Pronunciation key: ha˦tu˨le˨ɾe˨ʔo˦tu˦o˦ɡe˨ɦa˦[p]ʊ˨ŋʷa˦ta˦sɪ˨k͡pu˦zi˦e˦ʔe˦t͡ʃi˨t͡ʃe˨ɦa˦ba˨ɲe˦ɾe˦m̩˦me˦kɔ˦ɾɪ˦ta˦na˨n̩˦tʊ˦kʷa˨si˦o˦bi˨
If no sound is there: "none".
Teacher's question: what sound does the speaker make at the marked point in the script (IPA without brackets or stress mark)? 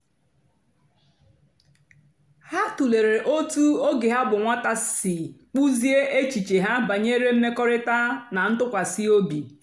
b